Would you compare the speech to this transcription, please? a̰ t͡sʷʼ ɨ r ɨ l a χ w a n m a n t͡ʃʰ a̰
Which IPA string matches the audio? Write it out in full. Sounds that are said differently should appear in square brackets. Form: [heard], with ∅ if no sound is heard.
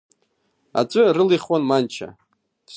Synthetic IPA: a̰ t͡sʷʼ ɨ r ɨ l [i] χ w a n m a n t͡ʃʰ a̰